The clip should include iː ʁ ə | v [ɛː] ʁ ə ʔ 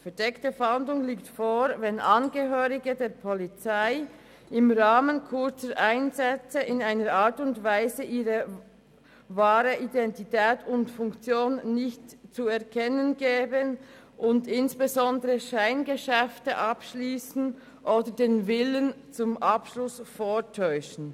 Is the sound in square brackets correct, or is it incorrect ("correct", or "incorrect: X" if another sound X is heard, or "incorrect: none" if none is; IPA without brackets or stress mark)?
incorrect: aː